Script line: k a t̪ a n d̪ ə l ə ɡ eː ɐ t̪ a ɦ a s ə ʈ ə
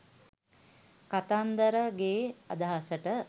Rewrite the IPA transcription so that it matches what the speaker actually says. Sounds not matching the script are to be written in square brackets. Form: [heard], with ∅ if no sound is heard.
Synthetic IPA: k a t̪ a n d̪ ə [ɾ] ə ɡ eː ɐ [d̪] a ɦ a s ə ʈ ə